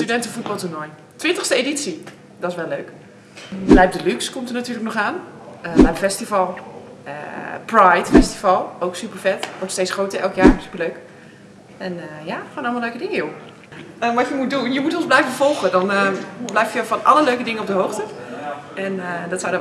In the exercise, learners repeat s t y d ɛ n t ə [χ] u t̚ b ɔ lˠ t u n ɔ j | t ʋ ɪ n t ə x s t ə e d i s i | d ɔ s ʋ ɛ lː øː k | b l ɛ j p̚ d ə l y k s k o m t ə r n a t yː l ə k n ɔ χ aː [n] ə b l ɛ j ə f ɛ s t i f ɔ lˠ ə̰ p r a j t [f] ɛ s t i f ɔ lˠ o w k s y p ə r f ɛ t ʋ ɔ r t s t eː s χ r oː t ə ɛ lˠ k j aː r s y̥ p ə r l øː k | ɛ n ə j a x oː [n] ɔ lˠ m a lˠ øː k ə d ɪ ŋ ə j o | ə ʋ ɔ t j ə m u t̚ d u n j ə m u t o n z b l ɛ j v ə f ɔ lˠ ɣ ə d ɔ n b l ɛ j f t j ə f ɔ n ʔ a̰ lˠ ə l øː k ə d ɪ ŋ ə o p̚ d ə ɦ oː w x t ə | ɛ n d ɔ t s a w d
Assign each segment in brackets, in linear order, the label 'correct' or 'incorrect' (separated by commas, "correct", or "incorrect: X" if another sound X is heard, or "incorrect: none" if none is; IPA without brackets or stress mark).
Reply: incorrect: f, correct, correct, correct